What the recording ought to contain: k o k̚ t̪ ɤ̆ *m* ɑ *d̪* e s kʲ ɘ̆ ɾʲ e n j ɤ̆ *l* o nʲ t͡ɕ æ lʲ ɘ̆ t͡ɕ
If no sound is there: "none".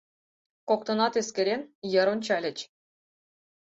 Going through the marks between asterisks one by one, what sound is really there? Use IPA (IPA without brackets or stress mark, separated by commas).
n, t̪, ɾ